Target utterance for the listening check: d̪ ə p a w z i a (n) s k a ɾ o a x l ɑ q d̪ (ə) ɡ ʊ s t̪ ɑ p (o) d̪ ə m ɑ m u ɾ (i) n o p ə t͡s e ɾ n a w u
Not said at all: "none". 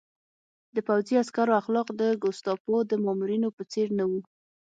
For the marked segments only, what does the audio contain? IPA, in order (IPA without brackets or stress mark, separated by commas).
none, ə, o, i